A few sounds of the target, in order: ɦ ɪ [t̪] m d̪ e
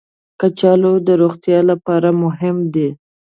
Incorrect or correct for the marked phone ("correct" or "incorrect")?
incorrect